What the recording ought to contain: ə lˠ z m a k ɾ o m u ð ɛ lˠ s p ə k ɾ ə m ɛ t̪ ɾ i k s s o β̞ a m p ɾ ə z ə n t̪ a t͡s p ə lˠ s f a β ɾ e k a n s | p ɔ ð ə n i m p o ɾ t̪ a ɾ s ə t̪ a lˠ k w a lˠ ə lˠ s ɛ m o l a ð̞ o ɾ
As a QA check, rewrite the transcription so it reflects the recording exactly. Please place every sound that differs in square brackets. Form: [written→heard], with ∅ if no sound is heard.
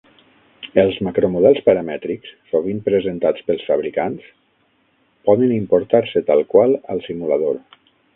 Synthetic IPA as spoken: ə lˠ z m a k ɾ o m u ð ɛ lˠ s p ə [k→∅] ɾ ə m ɛ t̪ ɾ i k s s o β̞ [a→i] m p ɾ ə z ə n t̪ a t͡s p ə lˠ s f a β ɾ [e→i] k a n s | p ɔ ð ə n i m p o ɾ t̪ a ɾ s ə t̪ a lˠ k w a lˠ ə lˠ s [ɛ→i] m [o→u] l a ð̞ o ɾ